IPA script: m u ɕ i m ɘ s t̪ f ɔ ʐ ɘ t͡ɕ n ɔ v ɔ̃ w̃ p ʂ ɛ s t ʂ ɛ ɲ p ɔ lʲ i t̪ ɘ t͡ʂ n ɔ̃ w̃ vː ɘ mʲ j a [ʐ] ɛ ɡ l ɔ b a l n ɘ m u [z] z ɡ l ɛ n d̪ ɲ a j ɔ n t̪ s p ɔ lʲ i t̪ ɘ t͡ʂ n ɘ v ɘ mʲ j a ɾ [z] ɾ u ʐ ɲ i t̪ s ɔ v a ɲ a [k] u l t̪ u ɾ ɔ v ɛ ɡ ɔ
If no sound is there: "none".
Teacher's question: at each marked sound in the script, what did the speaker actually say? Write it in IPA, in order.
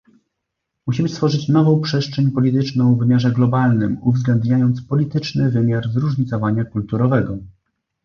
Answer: ʐ, v, z, k

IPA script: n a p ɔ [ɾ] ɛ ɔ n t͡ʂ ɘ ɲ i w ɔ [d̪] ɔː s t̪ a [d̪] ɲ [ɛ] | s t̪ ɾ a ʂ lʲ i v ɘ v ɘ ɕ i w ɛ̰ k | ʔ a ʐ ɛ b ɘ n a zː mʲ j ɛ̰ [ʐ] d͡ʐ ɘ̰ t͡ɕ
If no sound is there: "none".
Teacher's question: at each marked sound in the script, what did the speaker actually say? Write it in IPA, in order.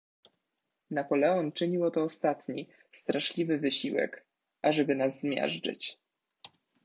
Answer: l, t̪, t̪, i, ʐ

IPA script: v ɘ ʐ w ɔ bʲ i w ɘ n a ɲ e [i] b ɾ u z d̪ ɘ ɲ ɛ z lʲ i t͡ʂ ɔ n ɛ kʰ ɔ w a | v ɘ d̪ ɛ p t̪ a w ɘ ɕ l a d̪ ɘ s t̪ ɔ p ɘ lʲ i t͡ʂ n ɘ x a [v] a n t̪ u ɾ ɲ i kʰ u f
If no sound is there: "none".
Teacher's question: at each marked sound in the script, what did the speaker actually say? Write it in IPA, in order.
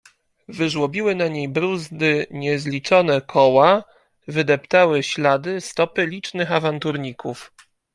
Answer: j, v

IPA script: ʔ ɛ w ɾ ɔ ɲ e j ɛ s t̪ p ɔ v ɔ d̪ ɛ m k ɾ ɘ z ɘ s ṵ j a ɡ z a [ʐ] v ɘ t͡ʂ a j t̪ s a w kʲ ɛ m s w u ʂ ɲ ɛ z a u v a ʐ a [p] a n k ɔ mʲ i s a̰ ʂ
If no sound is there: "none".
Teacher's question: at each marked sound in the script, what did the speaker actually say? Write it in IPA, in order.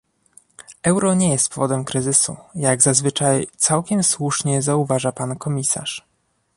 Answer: z, p

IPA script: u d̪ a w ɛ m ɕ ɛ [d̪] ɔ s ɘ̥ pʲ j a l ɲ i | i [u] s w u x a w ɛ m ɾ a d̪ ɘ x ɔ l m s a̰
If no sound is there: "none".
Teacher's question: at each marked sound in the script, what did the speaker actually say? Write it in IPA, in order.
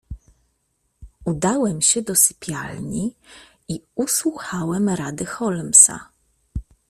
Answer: d̪, u

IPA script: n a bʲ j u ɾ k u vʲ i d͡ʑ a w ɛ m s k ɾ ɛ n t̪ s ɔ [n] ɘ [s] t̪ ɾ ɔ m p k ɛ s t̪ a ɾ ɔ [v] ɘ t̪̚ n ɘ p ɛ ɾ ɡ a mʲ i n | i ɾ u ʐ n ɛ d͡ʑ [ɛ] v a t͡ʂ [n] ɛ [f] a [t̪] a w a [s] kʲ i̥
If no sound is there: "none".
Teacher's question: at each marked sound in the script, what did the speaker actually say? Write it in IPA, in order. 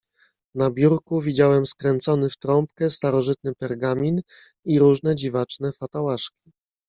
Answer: n, f, ʐ, i, n, f, t̪, ʂ

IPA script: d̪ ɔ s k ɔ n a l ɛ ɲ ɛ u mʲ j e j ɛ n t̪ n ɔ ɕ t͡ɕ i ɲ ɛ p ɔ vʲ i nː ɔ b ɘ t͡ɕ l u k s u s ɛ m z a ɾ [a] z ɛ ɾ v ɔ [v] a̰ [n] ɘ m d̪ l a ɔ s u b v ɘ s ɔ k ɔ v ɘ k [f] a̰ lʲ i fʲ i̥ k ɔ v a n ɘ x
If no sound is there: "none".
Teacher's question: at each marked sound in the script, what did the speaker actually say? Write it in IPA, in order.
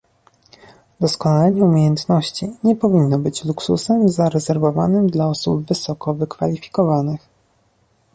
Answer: ɛ, v, n, f

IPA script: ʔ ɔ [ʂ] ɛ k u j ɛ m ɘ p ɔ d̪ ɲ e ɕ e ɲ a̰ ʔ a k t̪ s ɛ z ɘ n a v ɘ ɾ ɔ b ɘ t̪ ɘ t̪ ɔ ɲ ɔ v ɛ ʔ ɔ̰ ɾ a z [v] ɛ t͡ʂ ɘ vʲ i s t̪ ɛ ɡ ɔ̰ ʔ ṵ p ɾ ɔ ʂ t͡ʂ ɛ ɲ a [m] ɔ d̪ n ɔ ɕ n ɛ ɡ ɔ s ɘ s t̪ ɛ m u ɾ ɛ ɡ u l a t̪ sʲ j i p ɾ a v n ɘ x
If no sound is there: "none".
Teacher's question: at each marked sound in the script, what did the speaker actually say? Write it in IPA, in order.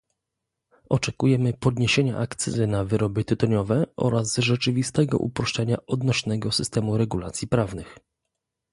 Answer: t͡ʂ, ʐ, none

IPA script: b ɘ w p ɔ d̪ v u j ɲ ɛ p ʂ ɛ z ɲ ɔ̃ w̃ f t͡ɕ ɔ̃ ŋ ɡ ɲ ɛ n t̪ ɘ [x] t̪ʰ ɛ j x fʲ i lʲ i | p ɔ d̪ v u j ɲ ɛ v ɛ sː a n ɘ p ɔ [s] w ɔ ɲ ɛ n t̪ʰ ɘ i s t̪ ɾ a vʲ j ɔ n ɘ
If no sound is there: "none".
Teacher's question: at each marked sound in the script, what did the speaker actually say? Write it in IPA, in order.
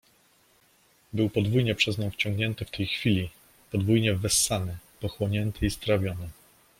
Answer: f, x

